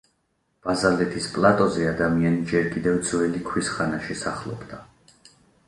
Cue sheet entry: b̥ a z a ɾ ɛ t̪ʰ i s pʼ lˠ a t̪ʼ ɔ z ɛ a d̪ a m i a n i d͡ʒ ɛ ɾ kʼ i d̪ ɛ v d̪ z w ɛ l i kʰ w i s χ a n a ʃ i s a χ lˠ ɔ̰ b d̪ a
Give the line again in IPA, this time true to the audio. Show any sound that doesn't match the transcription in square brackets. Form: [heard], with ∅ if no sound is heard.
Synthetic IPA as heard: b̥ a z a [l] ɛ t̪ʰ i s pʼ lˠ a t̪ʼ ɔ z ɛ a d̪ a m i a n i d͡ʒ ɛ ɾ kʼ i d̪ ɛ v d̪ z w ɛ l i kʰ w i s χ a n a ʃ i s a χ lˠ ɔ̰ b d̪ a